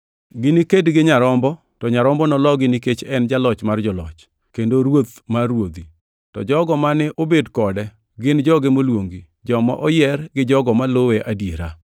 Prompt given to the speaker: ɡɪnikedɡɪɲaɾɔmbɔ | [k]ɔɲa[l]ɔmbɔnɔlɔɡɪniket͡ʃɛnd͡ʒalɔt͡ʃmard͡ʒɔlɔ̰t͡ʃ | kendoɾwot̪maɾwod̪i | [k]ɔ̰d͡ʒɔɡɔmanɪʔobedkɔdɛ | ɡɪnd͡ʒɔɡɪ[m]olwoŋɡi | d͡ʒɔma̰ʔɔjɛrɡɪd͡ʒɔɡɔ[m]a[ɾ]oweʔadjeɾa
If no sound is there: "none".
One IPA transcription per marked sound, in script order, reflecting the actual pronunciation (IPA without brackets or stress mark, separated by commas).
t, ɾ, t, m, m, l